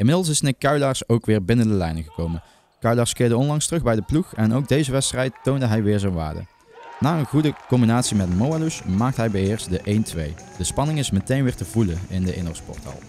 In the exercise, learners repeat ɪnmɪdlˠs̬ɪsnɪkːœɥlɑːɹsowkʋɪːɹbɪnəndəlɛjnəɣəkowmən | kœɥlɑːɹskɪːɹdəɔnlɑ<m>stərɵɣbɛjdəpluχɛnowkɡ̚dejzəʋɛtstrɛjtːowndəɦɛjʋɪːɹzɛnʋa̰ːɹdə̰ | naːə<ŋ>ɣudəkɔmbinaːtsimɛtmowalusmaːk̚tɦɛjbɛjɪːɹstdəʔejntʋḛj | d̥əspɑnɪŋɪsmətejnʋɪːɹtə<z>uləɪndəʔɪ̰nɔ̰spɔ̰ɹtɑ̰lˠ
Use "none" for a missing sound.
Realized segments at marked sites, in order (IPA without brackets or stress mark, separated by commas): ŋ, n, v